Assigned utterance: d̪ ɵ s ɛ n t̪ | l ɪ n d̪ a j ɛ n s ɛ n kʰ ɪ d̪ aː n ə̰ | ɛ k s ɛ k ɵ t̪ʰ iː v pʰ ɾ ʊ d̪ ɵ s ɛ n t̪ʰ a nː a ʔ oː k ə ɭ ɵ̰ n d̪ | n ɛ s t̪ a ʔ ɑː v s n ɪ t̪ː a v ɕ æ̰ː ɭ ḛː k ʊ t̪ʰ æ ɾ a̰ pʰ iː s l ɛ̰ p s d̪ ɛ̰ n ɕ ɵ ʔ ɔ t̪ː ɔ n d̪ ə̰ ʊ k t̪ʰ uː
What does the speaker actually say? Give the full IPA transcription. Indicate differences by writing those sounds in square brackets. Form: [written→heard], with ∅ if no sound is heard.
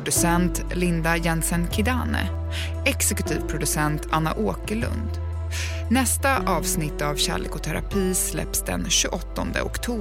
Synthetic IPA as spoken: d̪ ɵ s ɛ n t̪ | l ɪ n d̪ a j ɛ n s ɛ n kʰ ɪ d̪ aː n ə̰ | ɛ k s ɛ k ɵ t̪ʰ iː v pʰ ɾ ʊ d̪ ɵ s ɛ n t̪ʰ a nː a ʔ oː k ə ɭ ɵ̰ n d̪ | n ɛ s t̪ a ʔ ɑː v s n ɪ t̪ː a v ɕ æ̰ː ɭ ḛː k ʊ t̪ʰ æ ɾ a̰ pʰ iː s l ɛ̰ p s d̪ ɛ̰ n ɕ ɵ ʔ ɔ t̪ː ɔ n d̪ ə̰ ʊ k t̪ʰ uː